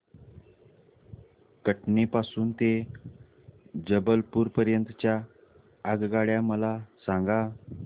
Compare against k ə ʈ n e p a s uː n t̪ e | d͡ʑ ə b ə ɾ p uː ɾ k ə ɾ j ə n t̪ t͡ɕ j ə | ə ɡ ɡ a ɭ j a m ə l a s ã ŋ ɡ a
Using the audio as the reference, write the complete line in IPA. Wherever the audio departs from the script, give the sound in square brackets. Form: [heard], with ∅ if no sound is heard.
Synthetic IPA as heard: k ə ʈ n e p a s uː n t̪ e | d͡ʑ ə b ə [l] p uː ɾ [p] ə ɾ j ə n t̪ t͡ɕ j [a] | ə ɡ ɡ a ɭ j a m ə l a s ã ŋ ɡ a

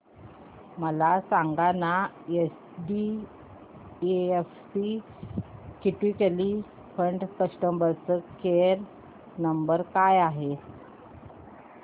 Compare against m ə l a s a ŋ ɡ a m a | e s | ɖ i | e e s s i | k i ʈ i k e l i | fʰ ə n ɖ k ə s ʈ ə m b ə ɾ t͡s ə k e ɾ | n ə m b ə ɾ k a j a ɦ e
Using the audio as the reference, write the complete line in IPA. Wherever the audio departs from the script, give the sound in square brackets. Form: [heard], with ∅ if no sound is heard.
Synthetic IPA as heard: m ə l a s a ŋ ɡ a [n] a | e s | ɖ i | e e [f] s i | k i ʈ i k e l i | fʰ ə [ɳ] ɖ k ə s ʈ ə m b ə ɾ t͡s ə k e ɾ | n ə m b ə ɾ k a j a ɦ e

